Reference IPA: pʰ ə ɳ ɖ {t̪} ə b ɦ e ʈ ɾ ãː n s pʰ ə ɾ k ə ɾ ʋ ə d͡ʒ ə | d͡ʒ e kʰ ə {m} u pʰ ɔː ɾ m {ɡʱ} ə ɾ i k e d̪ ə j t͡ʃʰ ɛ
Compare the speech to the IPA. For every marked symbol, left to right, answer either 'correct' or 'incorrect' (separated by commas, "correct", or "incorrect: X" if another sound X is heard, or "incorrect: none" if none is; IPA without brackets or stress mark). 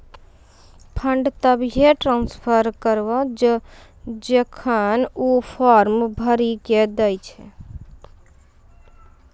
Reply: correct, incorrect: n, incorrect: bʱ